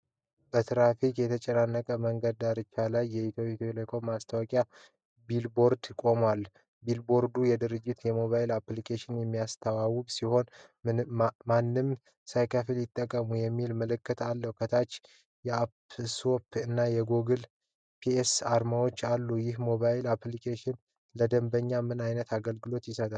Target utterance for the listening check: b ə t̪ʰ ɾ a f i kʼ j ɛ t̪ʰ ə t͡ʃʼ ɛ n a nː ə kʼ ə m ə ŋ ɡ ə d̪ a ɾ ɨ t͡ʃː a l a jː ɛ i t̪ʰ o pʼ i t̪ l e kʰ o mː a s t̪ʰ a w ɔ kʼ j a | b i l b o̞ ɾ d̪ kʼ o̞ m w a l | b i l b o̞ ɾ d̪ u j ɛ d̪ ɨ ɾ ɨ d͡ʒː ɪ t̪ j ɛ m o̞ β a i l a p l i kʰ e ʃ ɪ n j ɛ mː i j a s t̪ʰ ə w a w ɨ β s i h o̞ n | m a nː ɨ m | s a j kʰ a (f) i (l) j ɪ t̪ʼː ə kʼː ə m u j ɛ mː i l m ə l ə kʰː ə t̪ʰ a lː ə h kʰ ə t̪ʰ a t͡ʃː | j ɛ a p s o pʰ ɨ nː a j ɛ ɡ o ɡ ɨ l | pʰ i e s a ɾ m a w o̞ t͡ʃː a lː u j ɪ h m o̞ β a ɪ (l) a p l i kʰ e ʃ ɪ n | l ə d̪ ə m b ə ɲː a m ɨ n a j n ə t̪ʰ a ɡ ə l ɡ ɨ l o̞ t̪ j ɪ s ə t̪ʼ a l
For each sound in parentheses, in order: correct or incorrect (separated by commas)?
correct, correct, correct